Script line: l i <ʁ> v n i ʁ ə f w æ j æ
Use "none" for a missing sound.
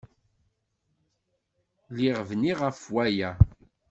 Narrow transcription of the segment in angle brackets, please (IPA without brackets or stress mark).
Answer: ʁ